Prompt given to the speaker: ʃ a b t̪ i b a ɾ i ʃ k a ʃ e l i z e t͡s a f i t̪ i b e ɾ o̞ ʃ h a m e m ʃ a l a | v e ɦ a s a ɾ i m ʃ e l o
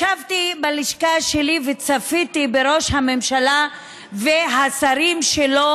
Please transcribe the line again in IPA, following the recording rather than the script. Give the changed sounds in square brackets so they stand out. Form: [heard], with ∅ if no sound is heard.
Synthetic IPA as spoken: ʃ a [v] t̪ i b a [l] i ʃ k a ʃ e l i [v] e t͡s a f i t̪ i b e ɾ o̞ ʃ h a m e m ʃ a l a | v e ɦ a s a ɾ i m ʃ e l o

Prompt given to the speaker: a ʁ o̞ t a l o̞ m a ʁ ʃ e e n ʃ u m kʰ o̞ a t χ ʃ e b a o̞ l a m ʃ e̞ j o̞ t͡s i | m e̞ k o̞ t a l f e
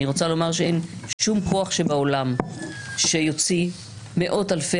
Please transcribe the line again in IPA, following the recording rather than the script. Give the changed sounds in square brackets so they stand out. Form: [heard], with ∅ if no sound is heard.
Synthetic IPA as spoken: [i] ʁ o̞ [t͡s] a l o̞ m a ʁ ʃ e e n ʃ u m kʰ o̞ a [∅] χ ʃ e b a o̞ l a m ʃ e̞ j o̞ t͡s i | m e̞ [ʔ] o̞ t a l f e

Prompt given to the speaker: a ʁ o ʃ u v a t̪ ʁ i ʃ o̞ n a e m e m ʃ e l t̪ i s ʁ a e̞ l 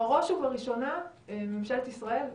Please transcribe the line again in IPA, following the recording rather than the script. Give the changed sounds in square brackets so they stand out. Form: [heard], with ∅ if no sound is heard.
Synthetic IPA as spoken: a ʁ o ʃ u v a [∅] ʁ i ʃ o̞ n a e m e m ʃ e l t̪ i s ʁ a e̞ l

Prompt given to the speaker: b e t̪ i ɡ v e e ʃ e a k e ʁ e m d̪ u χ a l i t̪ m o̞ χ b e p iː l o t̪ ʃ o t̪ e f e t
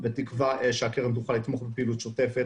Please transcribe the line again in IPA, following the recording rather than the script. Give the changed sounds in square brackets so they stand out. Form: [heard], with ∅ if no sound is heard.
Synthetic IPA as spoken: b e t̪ i [k] v [a] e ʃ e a k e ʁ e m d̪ u χ a l i t̪ m o̞ χ b e p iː l [u] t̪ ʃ o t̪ e f e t

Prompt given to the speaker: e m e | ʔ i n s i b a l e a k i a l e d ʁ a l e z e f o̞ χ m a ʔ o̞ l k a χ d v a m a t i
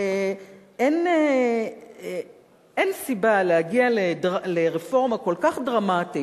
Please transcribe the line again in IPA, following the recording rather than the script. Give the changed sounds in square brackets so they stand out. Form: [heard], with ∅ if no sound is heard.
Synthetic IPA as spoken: e [n] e | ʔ [e] n s i b a l e a [ɡ] i a l e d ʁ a l e [ʁ] e f o̞ [ʁ] m a [k] o̞ l k a χ d [ʁ] a m a t i

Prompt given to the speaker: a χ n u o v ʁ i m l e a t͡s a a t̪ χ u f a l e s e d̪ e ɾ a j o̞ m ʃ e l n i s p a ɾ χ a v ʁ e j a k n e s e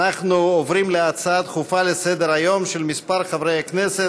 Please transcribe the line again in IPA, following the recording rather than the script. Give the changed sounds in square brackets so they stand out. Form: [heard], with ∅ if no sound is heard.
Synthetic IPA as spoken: a χ n u o v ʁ i m l e a t͡s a a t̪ χ u f a l e s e d̪ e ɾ a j o̞ m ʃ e l [m] i s p a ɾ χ a v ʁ e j a k n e s e

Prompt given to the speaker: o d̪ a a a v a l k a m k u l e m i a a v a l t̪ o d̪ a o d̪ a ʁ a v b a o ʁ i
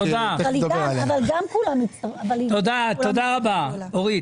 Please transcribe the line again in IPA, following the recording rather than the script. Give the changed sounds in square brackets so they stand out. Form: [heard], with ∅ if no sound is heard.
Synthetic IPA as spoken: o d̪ a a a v a l [ɡ] a m k u l [a] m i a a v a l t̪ o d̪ a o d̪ a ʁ a [∅] b a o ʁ i

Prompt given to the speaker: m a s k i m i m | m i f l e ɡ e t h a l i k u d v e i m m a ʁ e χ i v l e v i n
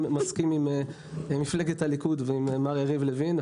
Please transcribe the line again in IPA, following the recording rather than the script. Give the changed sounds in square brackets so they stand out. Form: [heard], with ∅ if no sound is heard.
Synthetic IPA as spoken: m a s k i m i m | m i f l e ɡ e t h a l i k u d v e i m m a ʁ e [ʁ] i v l e v i n

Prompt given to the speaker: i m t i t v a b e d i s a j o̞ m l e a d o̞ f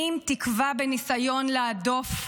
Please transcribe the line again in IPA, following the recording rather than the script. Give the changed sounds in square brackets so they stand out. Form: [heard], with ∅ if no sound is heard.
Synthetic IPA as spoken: i m t i [k] v a b e [n] i s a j o̞ [n] l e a d o̞ f

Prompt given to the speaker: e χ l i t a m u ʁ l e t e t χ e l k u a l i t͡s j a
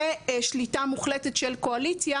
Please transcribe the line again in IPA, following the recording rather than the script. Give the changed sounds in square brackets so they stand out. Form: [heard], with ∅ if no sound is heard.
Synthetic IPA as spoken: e [ʃ] l i t a m u [χ] l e t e t [ʃ] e l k [o] a l i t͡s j a

